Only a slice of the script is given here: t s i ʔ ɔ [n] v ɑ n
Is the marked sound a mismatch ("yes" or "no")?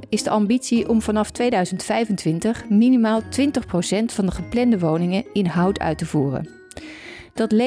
yes